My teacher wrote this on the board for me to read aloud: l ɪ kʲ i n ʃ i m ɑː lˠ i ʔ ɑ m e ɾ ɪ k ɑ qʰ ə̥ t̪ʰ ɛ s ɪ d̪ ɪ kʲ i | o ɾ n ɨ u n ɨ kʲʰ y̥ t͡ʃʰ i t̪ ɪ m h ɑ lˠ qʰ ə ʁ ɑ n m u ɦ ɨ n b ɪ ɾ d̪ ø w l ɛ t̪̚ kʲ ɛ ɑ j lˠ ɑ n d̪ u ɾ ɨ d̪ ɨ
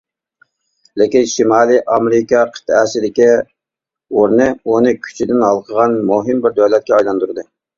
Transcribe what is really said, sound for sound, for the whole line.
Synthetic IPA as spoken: l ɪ kʲ i n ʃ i m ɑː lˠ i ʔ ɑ m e ɾ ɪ k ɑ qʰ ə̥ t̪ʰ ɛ s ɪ d̪ ɪ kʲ i | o ɾ n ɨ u n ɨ kʲʰ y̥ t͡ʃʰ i d̪ ɪ n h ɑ lˠ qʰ ə ʁ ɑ n m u ɦ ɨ m b ɪ ɾ d̪ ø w l ɛ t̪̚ kʲ ɛ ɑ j lˠ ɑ n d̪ u ɾ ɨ d̪ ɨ

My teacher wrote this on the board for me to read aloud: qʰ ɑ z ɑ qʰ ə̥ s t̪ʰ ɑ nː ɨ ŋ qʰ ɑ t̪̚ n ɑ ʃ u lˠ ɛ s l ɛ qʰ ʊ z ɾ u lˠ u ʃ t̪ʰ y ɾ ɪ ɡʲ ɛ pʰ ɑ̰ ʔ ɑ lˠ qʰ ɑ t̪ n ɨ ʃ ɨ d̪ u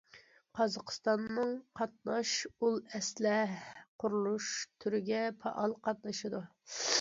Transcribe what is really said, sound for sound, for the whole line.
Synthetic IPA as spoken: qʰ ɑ z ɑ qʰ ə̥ s t̪ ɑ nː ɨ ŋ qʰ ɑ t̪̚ n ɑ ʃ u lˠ ɛ s l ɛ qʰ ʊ ɾ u lˠ u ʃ t̪ʰ y ɾ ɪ ɡʲ ɛ pʰ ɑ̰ ʔ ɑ lˠ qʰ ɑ t̪ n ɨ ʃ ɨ d̪ u

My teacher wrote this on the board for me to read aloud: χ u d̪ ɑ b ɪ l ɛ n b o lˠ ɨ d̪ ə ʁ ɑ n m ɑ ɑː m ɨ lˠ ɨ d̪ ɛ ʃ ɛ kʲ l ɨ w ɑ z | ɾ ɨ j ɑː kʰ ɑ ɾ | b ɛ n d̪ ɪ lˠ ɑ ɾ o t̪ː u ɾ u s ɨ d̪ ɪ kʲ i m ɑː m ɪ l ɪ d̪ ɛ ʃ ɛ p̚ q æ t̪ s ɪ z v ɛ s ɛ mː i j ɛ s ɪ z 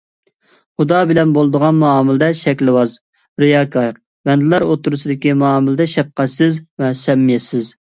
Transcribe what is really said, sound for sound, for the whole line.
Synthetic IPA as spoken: χ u d̪ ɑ b ɪ l ɛ n b o lˠ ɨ d̪ ə ʁ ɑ n m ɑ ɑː m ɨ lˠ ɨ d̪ ɛ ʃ ɛ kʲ l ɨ w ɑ z | ɾ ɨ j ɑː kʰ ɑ ɾ | b ɛ n d̪ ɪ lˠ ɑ ɾ o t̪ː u ɾ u s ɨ d̪ ɪ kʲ i m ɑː m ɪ l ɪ d̪ ɛ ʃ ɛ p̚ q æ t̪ s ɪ z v ɛ s ɛ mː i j ɛ s ɪ z

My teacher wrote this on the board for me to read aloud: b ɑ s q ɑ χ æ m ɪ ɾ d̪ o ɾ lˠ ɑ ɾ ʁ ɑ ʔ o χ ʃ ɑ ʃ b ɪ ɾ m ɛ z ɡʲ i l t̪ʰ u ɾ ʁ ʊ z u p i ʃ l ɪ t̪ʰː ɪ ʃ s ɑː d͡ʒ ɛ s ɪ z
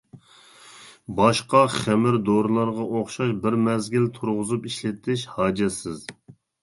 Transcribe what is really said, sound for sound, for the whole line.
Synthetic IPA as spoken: b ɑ ʃ q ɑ χ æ m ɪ ɾ d̪ o ɾ lˠ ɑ ɾ ʁ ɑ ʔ o χ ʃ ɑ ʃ b ɪ ɾ m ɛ z ɡʲ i l t̪ʰ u ɾ ʁ ʊ z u p i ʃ l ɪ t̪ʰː ɪ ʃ h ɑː d͡ʒ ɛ s ɪ z

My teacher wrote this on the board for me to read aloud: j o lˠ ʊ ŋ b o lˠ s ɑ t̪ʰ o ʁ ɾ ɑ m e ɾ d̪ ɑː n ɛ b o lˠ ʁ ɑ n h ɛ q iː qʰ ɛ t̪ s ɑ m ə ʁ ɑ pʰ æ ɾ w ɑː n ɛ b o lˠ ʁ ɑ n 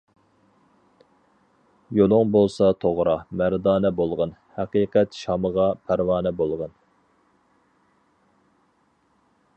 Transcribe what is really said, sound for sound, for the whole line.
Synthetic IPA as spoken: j o lˠ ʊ ŋ b o lˠ s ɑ t̪ʰ o ʁ ɾ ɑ m æ ɾ d̪ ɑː n ɛ b o lˠ ʁ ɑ n h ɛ q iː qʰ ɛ t̪ ʃ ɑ m ə ʁ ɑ pʰ æ ɾ w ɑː n ɛ b o lˠ ʁ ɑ n

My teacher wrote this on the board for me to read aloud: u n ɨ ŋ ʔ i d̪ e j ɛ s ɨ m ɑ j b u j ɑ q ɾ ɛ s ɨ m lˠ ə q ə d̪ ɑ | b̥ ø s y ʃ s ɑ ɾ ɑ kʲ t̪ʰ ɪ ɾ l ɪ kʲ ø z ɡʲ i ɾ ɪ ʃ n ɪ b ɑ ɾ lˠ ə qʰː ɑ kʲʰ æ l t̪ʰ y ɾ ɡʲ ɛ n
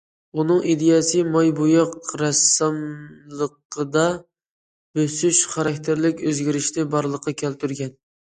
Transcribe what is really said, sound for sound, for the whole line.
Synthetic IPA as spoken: u n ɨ ŋ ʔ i d̪ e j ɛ s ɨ m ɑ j b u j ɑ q ɾ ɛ s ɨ m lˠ ə q ə d̪ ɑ | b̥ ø s y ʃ χ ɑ ɾ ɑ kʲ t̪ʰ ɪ ɾ l ɪ kʲ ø z ɡʲ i ɾ ɪ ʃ n ɪ b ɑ ɾ lˠ ə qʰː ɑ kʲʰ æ l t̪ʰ y ɾ ɡʲ ɛ n

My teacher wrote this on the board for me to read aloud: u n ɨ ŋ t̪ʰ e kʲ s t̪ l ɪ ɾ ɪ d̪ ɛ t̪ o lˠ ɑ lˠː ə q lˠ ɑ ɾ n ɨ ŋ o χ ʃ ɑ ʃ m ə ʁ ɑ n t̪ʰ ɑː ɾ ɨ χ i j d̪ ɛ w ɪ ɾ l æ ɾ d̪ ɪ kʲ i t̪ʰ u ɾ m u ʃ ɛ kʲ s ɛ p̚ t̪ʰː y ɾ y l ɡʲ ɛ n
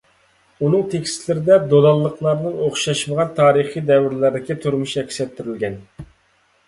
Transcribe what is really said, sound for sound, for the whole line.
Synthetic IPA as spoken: u n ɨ ŋ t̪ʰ e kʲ s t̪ l ɪ ɾ ɪ d̪ ɛ d̪ o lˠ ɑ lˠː ə q lˠ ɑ ɾ n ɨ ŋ o χ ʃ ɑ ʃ m ə ʁ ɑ n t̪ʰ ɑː ɾ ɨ χ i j d̪ ɛ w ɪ ɾ l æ ɾ d̪ ɪ kʲ i t̪ʰ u ɾ m u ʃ ɛ kʲ s ɛ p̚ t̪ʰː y ɾ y l ɡʲ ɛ n

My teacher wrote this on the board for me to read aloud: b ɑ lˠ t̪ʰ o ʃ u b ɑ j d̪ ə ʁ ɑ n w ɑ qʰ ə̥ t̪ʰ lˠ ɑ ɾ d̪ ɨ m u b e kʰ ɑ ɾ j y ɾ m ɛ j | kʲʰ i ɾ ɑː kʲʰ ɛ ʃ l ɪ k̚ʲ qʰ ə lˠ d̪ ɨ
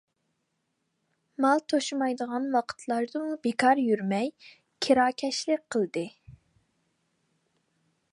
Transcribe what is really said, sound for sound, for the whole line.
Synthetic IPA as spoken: m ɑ lˠ t̪ʰ o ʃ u m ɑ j d̪ ə ʁ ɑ n w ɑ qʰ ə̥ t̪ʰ lˠ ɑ ɾ d̪ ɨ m u b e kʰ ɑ ɾ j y ɾ m ɛ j | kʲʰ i ɾ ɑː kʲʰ ɛ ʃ l ɪ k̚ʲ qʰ ə lˠ d̪ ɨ

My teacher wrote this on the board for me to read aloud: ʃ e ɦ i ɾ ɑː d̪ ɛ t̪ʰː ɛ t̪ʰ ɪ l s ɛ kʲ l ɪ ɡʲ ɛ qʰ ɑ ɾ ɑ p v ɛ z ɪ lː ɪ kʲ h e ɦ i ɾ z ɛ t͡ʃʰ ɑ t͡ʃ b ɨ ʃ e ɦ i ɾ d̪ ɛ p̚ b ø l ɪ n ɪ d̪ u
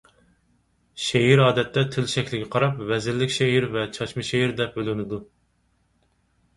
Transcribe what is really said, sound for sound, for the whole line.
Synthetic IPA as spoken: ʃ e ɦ i ɾ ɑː d̪ ɛ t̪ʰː ɛ t̪ʰ ɪ l ʃ ɛ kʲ l ɪ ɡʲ ɛ qʰ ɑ ɾ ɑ p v ɛ z ɪ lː ɪ kʲ ʃ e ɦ i ɾ v ɛ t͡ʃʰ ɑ t͡ʃ m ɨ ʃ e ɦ i ɾ d̪ ɛ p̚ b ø l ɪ n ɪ d̪ u

